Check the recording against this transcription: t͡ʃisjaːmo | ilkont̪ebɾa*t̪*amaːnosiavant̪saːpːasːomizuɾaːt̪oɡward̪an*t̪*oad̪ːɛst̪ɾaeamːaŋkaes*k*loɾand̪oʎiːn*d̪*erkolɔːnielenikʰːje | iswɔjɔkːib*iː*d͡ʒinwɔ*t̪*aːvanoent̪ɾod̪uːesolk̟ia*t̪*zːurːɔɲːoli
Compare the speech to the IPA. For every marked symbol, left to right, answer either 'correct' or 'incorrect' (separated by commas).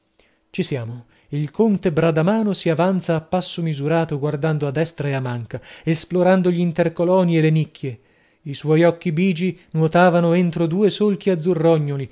incorrect, incorrect, incorrect, incorrect, correct, correct, incorrect